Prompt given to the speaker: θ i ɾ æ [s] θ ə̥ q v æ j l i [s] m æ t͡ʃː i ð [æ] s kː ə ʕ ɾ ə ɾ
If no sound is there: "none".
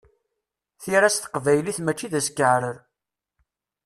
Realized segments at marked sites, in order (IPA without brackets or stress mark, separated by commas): s, θ, æ